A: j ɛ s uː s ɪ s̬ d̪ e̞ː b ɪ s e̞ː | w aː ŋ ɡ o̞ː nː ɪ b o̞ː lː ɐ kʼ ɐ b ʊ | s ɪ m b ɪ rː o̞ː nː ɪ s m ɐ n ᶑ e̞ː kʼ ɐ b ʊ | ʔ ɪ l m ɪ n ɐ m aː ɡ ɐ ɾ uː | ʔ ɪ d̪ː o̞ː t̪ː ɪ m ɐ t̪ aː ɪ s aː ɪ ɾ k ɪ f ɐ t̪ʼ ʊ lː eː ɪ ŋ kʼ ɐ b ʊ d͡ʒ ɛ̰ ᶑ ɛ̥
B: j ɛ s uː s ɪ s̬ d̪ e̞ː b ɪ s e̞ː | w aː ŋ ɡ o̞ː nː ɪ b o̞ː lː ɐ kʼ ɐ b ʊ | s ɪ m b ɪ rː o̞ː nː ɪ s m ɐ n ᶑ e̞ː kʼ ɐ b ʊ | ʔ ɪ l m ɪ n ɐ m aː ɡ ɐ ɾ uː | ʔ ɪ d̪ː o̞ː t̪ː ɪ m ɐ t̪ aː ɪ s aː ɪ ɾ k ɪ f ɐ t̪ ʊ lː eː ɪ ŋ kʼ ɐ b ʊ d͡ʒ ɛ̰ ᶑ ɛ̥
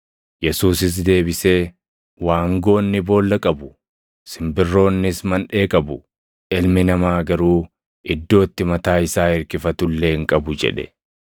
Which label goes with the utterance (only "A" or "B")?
B